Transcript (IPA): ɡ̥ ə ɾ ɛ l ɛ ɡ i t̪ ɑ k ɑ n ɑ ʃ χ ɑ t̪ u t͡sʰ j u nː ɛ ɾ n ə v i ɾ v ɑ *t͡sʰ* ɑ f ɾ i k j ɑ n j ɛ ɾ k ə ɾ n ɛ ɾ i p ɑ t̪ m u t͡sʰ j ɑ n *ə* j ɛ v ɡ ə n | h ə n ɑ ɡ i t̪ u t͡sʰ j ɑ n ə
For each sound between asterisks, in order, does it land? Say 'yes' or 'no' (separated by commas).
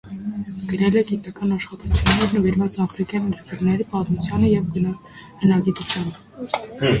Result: no, yes